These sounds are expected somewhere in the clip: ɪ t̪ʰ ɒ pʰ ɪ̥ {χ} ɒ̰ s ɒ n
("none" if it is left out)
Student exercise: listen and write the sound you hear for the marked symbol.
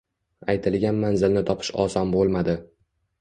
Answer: ʃ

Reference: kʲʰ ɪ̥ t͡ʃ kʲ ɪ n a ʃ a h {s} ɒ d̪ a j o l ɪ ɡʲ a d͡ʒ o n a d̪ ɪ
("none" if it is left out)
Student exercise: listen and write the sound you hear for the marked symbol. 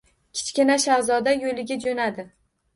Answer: z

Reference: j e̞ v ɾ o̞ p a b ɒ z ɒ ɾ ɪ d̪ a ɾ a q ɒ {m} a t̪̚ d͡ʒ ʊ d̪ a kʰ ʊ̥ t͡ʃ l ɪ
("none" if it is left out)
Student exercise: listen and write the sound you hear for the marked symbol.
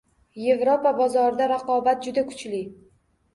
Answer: b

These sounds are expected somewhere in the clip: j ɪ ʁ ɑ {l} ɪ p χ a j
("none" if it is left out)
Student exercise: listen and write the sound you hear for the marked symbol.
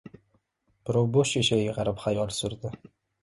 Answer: ɾ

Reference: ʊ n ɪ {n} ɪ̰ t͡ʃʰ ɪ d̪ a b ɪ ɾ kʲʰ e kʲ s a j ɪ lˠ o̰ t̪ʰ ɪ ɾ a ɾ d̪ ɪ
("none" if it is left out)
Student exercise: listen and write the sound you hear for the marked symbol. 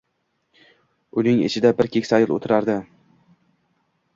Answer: ŋ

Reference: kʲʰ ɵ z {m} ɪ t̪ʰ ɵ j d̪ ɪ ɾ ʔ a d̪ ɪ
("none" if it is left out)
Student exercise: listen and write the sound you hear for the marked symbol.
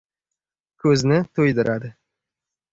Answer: n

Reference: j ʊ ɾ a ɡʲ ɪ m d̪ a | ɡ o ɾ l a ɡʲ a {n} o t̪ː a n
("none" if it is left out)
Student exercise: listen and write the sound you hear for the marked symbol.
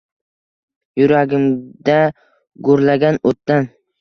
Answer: n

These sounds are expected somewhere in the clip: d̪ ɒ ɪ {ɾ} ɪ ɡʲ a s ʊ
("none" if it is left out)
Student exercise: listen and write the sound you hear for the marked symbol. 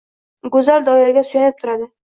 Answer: ɾ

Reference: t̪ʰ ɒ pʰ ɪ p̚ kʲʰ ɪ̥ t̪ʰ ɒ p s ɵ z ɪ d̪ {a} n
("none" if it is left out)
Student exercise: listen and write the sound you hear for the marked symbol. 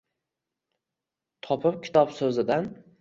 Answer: a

